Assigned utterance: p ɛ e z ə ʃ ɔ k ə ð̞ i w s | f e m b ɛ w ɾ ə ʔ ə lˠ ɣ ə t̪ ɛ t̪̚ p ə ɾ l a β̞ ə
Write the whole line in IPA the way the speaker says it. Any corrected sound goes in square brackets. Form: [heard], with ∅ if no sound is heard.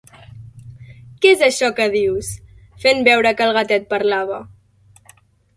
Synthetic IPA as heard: [k] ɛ e z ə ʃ ɔ k ə ð̞ i w s | f e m b ɛ w ɾ ə [k] ə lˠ ɣ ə t̪ ɛ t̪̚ p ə ɾ l a β̞ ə